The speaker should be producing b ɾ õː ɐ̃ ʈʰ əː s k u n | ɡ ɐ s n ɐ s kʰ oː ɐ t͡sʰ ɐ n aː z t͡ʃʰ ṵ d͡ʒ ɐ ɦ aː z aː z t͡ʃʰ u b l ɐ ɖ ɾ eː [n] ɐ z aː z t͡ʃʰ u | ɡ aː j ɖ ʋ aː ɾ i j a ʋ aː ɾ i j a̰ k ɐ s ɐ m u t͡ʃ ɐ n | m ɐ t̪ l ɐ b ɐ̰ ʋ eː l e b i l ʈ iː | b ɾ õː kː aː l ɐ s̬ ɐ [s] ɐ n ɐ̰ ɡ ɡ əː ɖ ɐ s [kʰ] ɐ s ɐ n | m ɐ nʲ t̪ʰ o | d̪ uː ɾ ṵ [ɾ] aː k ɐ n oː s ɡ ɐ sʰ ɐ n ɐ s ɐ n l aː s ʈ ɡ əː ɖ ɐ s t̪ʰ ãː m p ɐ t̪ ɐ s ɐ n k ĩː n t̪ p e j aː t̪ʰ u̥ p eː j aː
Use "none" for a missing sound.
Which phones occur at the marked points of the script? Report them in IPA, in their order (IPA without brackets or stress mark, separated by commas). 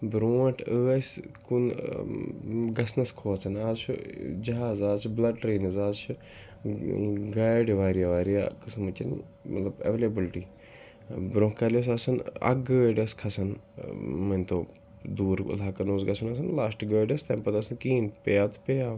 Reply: n, s, kʰ, l